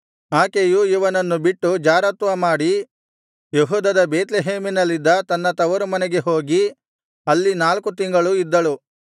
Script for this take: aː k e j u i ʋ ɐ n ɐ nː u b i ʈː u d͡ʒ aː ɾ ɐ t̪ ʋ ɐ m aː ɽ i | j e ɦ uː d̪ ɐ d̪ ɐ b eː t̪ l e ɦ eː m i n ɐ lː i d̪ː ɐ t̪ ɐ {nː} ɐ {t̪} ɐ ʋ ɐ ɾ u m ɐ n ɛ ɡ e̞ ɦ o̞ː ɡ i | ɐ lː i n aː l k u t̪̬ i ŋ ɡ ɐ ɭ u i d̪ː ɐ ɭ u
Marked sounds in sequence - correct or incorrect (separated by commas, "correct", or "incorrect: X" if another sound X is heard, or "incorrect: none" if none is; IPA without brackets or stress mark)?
correct, correct